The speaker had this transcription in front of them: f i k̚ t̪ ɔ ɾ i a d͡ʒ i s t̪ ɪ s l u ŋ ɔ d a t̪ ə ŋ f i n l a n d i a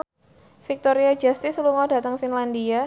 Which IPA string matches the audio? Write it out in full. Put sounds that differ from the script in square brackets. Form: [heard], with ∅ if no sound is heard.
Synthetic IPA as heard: f i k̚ t̪ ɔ ɾ i a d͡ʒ [a] s t̪ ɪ s l u ŋ ɔ d a t̪ ə ŋ f i n l a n d i a